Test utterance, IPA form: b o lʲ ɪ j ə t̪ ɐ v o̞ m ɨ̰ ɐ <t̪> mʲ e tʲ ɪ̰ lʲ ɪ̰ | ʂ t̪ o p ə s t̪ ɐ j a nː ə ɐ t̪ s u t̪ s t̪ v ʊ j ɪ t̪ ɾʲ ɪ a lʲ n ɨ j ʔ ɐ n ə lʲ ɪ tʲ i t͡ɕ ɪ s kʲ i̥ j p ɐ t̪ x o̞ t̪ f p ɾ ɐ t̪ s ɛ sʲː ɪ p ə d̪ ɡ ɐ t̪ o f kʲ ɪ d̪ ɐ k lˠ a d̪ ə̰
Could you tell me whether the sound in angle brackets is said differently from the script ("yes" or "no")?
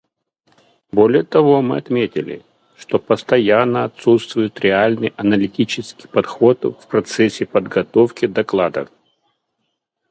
no